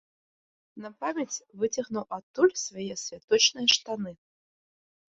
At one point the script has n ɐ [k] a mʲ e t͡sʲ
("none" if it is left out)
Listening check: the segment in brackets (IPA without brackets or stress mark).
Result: p